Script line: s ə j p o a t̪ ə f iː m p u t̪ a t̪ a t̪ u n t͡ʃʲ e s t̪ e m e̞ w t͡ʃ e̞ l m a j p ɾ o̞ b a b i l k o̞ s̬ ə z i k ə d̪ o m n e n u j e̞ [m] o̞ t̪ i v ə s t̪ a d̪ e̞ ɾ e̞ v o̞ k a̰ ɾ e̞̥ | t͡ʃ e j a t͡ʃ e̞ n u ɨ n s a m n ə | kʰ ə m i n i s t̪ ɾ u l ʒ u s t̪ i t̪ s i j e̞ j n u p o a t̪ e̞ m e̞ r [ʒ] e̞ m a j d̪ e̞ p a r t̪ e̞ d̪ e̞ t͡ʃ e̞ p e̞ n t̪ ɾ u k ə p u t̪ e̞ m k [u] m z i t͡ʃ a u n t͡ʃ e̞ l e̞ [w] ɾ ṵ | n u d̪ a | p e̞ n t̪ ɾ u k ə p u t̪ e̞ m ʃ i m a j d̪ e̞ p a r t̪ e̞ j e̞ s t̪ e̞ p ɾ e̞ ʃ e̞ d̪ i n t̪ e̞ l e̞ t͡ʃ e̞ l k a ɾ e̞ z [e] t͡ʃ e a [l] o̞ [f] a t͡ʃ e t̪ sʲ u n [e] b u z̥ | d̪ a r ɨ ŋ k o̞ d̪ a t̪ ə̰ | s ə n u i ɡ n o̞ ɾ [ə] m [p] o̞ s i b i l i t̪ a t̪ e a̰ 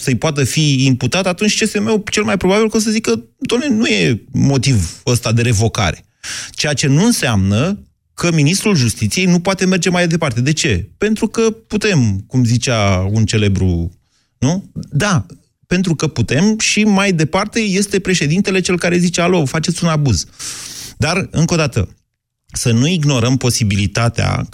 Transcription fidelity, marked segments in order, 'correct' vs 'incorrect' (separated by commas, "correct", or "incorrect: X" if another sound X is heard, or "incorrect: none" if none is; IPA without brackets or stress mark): correct, incorrect: d͡ʒ, correct, incorrect: b, incorrect: i, correct, correct, incorrect: a, correct, correct